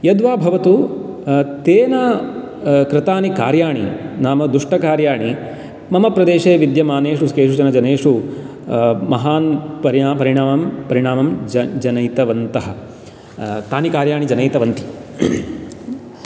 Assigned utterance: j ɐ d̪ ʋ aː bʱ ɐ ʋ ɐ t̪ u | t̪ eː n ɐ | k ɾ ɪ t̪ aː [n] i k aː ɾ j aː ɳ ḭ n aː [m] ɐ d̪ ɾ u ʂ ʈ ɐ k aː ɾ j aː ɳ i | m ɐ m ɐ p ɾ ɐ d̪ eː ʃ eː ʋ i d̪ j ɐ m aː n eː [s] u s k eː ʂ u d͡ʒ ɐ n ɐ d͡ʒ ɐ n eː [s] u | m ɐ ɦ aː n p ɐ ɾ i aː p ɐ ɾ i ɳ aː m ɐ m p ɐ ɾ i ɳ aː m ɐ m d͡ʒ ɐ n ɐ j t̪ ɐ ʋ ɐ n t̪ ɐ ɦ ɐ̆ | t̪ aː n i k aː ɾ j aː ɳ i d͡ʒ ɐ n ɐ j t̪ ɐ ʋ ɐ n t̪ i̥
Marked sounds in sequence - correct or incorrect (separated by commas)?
correct, correct, incorrect, incorrect